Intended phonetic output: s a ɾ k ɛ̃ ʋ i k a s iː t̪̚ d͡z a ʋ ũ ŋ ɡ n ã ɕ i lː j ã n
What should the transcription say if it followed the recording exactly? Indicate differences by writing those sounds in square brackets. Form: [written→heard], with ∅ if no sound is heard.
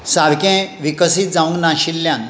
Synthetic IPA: s a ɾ k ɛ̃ ʋ i k [a→ə] s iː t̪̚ d͡z a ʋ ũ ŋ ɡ n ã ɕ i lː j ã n